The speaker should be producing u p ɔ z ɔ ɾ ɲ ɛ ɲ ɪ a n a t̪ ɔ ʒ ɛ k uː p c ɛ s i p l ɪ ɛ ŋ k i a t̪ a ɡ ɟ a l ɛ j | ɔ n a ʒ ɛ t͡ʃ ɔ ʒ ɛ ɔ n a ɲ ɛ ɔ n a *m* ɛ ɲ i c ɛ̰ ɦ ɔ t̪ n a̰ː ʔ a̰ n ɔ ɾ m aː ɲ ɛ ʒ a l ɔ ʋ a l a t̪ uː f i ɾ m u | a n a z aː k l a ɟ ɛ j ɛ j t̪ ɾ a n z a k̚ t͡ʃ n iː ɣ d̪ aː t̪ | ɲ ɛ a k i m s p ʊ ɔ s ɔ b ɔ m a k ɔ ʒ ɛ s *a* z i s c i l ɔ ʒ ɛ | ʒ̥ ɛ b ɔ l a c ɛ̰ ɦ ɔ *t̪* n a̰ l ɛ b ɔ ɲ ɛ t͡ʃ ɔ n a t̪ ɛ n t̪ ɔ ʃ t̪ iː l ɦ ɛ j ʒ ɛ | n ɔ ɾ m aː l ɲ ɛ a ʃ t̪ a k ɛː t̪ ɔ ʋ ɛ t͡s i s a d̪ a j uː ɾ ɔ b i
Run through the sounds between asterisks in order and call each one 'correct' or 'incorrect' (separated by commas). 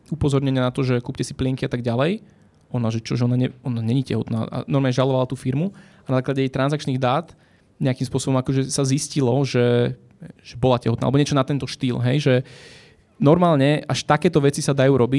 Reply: incorrect, correct, correct